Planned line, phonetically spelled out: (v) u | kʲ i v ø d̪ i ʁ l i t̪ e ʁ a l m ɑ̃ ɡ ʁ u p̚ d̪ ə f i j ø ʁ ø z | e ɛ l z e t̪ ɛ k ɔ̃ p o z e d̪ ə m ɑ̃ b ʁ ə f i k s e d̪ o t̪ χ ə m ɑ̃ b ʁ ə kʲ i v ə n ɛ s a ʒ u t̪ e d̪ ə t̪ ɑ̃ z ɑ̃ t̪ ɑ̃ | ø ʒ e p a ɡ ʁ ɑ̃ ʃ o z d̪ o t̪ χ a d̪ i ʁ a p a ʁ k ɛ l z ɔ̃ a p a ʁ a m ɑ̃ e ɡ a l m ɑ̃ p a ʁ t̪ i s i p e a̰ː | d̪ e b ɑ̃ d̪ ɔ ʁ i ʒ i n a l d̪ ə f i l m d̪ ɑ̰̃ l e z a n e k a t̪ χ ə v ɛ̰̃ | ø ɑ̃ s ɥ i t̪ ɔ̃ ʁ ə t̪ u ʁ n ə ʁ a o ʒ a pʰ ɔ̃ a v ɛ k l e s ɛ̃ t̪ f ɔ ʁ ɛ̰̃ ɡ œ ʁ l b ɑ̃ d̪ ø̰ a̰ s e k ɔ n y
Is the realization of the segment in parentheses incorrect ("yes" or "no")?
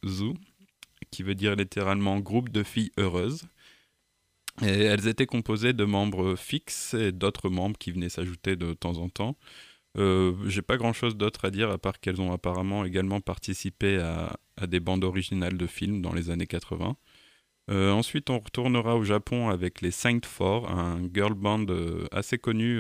yes